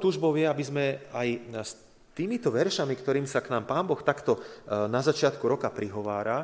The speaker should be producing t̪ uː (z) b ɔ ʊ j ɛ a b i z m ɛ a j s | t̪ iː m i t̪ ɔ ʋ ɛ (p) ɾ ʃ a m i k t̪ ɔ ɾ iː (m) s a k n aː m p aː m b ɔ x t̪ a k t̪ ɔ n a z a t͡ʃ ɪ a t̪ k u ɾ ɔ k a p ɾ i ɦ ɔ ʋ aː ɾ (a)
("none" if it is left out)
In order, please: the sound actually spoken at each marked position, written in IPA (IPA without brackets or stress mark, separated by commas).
ʒ, none, m, a